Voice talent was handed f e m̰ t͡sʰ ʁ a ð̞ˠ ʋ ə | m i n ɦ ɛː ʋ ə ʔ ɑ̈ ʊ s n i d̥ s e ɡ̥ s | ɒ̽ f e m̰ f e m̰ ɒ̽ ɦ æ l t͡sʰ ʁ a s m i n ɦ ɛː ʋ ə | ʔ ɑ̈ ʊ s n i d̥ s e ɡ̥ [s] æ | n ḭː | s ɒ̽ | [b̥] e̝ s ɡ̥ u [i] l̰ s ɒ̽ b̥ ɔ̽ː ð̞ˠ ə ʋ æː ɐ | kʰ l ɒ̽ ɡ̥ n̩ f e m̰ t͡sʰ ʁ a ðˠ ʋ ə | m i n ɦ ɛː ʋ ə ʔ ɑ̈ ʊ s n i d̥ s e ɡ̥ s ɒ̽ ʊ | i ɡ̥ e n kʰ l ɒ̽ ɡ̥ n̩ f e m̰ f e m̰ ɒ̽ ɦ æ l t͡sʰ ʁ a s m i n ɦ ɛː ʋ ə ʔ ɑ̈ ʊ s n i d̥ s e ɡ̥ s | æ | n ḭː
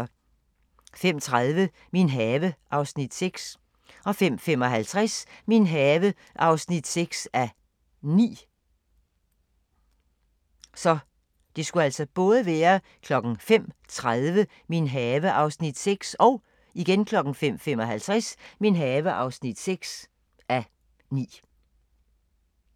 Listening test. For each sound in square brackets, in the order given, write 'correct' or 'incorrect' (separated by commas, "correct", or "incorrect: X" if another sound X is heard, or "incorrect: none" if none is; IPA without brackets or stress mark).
correct, incorrect: d̥, incorrect: æ